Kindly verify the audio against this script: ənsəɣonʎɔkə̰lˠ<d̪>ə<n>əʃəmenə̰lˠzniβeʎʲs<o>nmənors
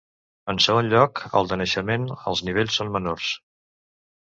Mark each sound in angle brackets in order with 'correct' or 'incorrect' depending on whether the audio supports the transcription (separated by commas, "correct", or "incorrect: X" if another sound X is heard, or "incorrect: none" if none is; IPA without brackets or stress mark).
correct, correct, correct